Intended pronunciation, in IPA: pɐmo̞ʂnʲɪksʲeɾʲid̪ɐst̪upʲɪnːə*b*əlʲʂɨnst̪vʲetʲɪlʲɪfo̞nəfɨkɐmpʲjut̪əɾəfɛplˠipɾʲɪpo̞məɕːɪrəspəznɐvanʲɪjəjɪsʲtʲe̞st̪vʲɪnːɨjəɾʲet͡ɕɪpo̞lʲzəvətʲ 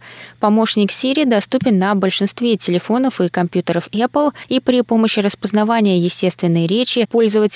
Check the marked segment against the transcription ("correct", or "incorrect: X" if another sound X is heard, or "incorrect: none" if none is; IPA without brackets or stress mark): correct